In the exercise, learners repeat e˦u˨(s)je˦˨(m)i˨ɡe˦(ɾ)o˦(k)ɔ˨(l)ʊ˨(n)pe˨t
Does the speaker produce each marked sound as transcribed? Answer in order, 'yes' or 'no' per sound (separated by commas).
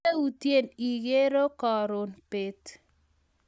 no, no, yes, yes, no, yes